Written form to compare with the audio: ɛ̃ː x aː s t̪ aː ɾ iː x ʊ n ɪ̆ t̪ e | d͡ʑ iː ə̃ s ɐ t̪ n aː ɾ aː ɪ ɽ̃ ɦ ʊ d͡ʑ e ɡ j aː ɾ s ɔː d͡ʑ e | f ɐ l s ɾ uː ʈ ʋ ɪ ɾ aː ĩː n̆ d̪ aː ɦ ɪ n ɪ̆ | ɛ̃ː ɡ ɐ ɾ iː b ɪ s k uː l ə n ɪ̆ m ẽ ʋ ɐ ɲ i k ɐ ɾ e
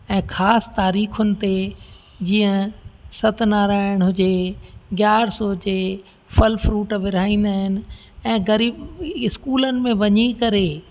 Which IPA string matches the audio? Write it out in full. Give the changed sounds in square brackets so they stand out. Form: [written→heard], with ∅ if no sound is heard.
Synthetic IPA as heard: ɛ̃ː x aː s t̪ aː ɾ iː x ʊ n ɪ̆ t̪ e | d͡ʑ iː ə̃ s ɐ t̪ n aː ɾ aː ɪ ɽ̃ ɦ ʊ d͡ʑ e ɡ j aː ɾ s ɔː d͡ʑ e | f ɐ l [s→f] ɾ uː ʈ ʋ ɪ ɾ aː ĩː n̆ d̪ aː ɦ ɪ n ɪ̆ | ɛ̃ː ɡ ɐ ɾ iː b ɪ s k uː l ə n ɪ̆ m ẽ ʋ ɐ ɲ i k ɐ ɾ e